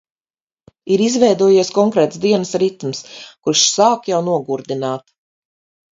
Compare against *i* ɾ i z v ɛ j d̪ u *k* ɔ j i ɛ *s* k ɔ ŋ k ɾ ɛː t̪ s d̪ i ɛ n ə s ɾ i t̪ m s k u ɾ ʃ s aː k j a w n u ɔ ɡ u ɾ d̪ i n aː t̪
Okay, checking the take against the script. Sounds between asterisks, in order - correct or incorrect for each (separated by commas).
correct, incorrect, correct